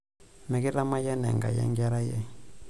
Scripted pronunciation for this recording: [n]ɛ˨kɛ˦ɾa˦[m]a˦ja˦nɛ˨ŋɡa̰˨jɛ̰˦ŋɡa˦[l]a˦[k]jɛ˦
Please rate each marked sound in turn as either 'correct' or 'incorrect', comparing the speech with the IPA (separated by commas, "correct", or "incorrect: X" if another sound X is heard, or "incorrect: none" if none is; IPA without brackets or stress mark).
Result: incorrect: m, correct, incorrect: ɾ, incorrect: none